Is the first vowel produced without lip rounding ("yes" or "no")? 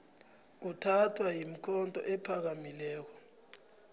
no